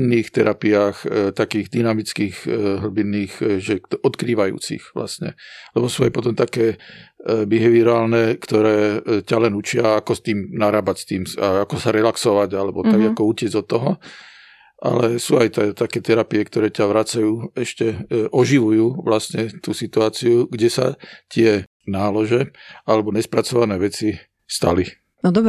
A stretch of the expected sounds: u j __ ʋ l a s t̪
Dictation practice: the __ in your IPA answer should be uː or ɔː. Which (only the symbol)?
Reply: uː